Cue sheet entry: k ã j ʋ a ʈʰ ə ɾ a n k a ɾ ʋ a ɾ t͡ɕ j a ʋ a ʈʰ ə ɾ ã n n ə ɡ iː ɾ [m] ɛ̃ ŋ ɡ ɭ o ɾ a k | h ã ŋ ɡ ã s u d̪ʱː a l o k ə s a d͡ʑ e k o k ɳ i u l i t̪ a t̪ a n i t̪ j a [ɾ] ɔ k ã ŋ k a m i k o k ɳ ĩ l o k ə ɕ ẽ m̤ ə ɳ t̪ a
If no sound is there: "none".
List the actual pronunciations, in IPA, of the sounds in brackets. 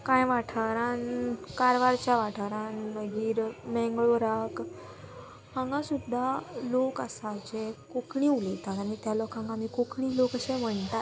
m, l

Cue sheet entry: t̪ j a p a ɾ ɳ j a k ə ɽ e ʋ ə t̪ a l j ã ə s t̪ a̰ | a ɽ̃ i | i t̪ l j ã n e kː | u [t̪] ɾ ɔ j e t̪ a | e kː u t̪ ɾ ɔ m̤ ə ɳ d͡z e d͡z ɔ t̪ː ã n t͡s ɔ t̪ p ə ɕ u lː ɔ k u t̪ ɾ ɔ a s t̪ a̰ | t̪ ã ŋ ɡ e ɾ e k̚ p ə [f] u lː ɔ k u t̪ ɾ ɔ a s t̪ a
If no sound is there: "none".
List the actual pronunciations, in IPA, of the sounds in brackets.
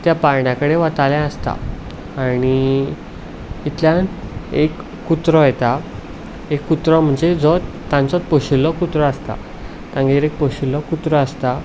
t̪, ɕ

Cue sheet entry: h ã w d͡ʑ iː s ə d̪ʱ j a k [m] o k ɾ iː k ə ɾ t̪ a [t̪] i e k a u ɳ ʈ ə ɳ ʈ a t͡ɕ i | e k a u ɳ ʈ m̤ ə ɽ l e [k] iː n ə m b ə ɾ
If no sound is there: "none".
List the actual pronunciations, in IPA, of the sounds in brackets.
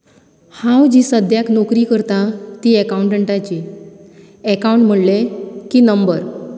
n, t̪, k

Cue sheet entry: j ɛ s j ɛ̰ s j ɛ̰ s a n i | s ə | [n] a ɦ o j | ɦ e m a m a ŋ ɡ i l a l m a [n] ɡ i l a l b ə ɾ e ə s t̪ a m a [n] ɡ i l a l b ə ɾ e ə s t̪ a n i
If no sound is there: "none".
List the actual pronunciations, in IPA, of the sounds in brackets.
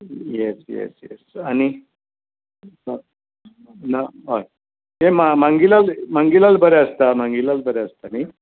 n, ŋ, ŋ

